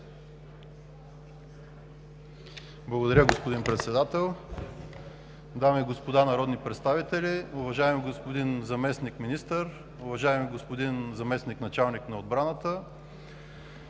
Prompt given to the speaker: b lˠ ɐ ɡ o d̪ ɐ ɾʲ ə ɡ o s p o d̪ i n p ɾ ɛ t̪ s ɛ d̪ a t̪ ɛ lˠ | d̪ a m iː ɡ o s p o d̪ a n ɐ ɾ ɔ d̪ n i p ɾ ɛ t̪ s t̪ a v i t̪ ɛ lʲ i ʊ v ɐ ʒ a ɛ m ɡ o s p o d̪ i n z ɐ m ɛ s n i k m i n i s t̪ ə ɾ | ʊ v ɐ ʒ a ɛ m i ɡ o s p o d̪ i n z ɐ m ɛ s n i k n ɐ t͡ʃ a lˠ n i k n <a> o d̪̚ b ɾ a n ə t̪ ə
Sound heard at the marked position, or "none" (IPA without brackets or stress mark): ɐ